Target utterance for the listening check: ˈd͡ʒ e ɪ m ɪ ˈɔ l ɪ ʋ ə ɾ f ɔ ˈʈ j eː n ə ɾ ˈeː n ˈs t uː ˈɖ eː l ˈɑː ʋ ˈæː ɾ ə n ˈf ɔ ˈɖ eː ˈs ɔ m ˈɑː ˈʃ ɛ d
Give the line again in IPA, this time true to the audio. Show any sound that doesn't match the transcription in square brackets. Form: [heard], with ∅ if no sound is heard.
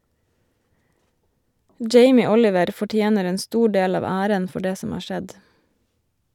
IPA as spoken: ˈd͡ʒ e ɪ m ɪ ˈɔ l ɪ ʋ ə ɾ f ɔ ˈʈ j eː n ə ɾ ˈeː n ˈs t uː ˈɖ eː l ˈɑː ʋ ˈæː ɾ ə n ˈf ɔ ˈɖ eː ˈs ɔ m ˈɑː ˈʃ ɛ d